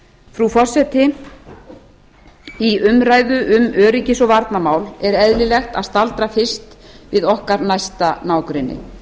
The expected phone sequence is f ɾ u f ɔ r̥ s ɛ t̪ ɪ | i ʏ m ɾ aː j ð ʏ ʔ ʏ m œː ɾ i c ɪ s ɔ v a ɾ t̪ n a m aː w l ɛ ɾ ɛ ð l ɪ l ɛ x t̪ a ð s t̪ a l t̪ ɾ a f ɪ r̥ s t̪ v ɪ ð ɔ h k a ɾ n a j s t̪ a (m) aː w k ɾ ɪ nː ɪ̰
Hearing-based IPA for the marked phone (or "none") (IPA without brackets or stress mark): n